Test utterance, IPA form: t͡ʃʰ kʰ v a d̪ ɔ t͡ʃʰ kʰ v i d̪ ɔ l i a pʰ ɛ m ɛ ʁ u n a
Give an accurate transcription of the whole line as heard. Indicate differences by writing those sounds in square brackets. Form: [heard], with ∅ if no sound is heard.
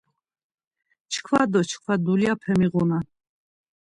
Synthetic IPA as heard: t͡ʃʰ kʰ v a d̪ ɔ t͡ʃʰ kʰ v [a] d̪ [u] l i a pʰ ɛ m [i] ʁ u n a

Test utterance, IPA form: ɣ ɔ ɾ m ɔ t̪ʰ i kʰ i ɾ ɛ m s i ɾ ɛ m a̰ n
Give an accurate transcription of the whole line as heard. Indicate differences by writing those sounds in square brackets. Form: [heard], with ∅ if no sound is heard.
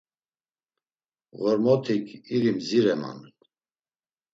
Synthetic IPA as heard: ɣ ɔ ɾ m ɔ t̪ʰ i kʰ i ɾ [i] m [z] i ɾ ɛ m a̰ n

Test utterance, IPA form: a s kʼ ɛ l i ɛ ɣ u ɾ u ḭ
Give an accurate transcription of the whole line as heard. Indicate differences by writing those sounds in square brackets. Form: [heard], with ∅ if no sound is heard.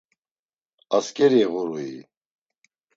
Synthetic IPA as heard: a s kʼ ɛ [ɾ] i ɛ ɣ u ɾ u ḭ

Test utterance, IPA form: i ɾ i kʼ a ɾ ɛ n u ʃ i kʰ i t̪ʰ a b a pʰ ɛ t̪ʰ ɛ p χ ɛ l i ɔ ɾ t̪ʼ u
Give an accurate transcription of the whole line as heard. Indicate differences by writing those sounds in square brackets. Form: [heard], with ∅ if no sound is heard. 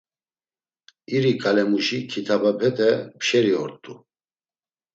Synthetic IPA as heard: i ɾ i kʼ a [l] ɛ [m] u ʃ i kʰ i t̪ʰ a b a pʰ ɛ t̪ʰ ɛ p [ʃ] ɛ [ɾ] i ɔ ɾ t̪ʼ u

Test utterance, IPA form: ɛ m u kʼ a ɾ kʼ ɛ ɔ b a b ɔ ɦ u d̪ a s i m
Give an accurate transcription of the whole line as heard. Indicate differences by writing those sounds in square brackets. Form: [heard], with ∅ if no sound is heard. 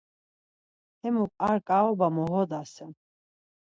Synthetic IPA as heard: ɛ m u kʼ a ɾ kʼ [a] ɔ b a [m] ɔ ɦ [ɔ] d̪ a s [ɛ] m

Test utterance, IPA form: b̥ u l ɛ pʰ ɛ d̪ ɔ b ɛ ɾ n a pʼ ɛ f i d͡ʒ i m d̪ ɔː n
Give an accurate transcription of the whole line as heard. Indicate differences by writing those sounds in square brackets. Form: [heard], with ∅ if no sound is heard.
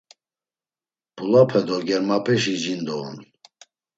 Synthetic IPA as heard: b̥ u l [a] pʰ ɛ d̪ ɔ [ɡ] ɛ ɾ [m] a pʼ ɛ [ʃ] i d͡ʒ i [n] d̪ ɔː n

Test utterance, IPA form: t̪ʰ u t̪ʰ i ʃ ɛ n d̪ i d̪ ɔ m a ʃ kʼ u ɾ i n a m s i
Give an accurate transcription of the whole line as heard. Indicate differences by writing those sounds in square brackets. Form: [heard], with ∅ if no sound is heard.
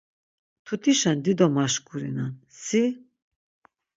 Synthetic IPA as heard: t̪ʰ u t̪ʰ i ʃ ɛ n d̪ i d̪ ɔ m a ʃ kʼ u ɾ i n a [n] s i

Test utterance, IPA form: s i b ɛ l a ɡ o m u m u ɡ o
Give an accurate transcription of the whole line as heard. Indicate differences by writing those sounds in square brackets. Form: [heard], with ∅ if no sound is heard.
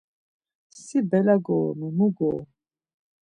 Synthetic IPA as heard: s i b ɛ l a ɡ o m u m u ɡ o

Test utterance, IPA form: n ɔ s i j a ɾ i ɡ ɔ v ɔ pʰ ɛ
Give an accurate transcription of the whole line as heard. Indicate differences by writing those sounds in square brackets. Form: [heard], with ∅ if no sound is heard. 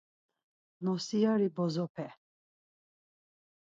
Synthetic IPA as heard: n ɔ s i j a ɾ i [b] ɔ [z] ɔ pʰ ɛ

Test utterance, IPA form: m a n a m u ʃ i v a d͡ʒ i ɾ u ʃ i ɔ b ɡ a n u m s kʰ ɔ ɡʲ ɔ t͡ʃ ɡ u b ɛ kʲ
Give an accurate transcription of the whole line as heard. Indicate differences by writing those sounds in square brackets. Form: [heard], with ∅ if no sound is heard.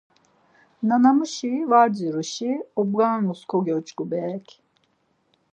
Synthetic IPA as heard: [n] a n a m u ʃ i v a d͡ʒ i ɾ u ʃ i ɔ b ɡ a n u [∅] s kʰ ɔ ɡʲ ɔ t͡ʃ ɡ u b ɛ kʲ

